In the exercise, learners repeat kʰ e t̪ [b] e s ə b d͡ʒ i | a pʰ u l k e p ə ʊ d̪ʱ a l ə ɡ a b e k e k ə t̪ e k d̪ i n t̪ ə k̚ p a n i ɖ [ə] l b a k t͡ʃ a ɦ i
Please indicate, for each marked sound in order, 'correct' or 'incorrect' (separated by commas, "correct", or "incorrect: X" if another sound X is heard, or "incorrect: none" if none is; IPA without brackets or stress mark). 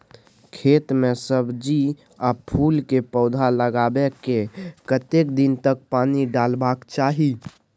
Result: incorrect: m, incorrect: a